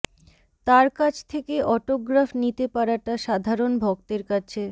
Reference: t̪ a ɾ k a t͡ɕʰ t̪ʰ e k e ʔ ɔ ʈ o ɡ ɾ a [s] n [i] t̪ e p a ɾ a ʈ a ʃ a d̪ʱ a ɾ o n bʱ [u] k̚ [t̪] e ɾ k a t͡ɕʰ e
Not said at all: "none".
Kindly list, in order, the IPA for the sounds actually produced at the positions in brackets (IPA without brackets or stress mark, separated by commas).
f, i, ɔ, t̪